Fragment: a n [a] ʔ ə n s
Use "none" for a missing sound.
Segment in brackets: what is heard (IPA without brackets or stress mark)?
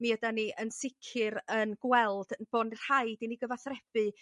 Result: i